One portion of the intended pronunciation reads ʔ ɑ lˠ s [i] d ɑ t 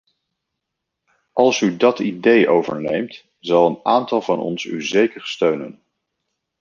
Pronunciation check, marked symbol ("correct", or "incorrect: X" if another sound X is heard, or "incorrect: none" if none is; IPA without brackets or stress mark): incorrect: y